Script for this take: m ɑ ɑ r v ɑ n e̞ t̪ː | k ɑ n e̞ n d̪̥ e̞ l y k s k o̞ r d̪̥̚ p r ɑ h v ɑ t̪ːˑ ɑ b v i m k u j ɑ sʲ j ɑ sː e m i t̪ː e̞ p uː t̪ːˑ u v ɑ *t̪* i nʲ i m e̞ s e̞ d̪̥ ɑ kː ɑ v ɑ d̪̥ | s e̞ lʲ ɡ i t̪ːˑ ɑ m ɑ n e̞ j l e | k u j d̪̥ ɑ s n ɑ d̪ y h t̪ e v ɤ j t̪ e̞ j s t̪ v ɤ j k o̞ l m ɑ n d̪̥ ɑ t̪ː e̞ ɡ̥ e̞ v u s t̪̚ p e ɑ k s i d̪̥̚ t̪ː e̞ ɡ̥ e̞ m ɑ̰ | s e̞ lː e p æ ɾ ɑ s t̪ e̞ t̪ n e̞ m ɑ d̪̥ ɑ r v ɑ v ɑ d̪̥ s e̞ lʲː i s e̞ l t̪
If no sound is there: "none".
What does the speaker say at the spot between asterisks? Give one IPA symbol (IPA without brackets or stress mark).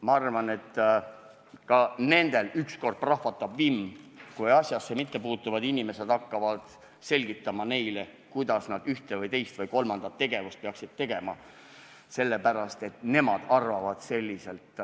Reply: d̪